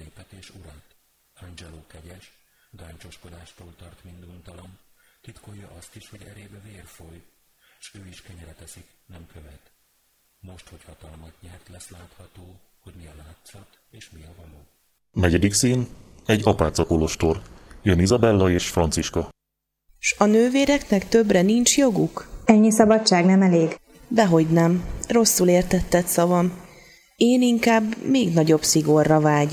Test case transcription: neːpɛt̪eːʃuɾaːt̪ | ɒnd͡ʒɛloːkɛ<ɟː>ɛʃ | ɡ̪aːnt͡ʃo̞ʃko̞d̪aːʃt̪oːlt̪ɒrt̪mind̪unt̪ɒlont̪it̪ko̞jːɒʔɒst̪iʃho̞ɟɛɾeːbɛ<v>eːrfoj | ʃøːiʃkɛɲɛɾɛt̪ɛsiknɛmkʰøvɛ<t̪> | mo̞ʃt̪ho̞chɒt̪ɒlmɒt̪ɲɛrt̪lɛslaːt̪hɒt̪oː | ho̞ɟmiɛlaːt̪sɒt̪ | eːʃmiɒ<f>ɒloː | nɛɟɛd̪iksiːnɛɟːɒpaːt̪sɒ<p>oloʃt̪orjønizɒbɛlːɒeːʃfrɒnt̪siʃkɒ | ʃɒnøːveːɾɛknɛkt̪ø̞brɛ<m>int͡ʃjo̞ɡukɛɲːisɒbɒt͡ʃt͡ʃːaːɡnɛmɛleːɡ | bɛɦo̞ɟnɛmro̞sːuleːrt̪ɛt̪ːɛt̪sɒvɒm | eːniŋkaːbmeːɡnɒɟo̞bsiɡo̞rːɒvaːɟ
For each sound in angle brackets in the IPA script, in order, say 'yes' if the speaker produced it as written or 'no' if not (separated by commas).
no, yes, yes, no, no, no